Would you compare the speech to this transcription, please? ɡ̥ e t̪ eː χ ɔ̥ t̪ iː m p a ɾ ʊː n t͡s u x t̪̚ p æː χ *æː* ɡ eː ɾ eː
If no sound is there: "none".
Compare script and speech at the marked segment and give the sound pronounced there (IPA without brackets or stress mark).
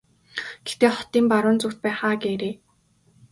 aː